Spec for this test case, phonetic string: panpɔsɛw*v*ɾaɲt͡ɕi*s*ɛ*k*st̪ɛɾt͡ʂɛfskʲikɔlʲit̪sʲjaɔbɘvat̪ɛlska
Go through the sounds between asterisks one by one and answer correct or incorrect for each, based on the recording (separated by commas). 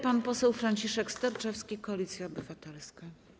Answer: incorrect, incorrect, correct